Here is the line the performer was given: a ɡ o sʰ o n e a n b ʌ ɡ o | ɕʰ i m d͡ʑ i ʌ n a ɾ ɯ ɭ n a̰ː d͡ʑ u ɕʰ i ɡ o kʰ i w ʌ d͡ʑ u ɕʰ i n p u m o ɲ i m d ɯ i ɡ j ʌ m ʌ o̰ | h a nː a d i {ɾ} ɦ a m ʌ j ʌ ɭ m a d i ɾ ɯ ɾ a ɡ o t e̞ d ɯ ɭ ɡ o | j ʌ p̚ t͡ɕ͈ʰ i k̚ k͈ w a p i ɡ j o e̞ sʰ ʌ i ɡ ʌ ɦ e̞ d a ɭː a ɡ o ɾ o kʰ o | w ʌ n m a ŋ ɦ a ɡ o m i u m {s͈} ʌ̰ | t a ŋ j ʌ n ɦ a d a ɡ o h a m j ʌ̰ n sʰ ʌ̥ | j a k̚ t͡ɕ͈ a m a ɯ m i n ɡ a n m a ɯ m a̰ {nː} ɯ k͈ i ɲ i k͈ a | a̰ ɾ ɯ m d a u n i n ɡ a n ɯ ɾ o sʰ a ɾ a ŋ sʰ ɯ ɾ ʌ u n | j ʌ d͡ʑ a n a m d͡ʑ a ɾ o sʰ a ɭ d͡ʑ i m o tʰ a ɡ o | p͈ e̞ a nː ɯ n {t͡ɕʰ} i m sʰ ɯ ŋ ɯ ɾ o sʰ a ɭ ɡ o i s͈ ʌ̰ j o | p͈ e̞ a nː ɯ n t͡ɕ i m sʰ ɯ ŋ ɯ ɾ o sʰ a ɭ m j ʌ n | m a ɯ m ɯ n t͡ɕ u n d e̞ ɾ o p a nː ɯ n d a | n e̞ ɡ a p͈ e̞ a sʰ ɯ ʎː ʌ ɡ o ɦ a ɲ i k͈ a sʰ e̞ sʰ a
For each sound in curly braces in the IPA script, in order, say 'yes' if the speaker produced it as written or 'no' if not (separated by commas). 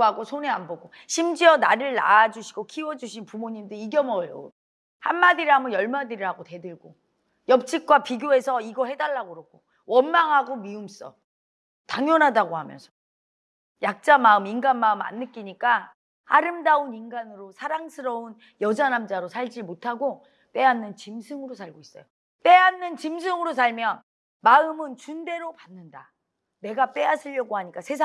yes, yes, yes, no